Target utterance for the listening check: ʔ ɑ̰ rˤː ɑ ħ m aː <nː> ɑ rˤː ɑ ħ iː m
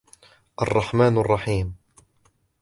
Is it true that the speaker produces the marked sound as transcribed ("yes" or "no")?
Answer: no